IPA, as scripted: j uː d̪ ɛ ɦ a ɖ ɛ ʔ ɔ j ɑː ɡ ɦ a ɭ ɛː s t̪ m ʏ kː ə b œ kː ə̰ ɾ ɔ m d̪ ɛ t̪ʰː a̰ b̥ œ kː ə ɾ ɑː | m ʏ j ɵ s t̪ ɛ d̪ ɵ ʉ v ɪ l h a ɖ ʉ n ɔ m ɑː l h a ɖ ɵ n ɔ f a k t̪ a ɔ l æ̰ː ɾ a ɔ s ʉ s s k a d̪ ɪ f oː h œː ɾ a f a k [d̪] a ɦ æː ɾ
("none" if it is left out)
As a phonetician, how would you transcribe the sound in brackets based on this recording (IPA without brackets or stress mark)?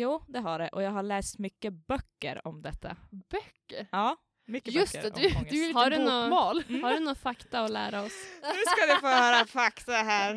t̪